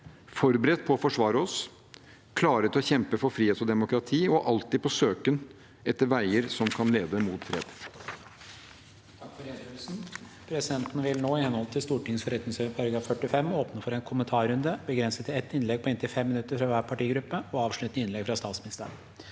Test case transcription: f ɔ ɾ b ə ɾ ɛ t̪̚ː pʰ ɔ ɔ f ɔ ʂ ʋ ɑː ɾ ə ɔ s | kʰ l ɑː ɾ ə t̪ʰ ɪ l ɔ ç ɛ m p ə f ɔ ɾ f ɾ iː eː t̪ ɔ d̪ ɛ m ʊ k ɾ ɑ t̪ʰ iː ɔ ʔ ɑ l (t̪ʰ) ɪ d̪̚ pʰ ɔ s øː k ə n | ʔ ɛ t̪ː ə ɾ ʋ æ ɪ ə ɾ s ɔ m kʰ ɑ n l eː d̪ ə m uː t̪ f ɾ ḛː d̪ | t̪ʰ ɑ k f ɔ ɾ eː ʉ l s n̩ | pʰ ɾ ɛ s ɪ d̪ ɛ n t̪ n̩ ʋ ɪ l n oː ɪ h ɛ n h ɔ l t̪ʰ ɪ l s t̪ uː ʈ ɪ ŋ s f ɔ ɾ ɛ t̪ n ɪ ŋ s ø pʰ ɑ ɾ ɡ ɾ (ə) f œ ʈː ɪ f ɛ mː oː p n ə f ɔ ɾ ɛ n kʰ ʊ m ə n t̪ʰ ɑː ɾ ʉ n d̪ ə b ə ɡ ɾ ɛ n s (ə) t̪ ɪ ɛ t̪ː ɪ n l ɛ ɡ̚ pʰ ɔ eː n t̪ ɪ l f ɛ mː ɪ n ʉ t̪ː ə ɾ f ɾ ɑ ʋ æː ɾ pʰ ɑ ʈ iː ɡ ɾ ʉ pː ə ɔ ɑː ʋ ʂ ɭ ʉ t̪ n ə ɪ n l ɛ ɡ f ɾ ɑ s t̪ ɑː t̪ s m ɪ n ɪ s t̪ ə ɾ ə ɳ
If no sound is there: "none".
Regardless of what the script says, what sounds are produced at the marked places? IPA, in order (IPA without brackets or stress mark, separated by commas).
t̪, ɑ, ə